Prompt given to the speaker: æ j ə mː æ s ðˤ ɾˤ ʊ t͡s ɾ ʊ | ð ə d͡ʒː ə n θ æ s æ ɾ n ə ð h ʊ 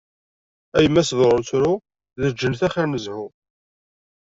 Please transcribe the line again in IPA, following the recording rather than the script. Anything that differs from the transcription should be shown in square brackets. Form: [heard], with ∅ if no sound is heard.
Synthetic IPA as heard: æ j ə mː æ s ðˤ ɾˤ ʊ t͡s ɾ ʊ | ð ə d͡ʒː ə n θ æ [χ] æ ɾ n ə [z] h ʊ